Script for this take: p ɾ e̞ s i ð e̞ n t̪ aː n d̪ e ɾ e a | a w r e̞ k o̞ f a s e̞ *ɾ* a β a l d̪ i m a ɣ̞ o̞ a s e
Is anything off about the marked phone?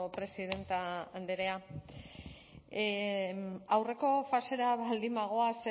no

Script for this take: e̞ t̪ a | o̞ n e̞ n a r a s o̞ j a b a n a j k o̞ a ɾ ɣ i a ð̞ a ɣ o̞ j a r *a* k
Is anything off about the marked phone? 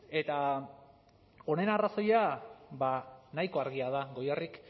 yes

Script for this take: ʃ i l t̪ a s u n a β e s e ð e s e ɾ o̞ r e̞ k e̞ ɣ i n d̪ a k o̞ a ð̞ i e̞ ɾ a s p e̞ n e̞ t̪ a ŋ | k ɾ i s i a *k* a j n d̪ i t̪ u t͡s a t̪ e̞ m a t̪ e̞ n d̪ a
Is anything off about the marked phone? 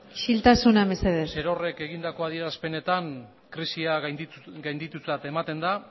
yes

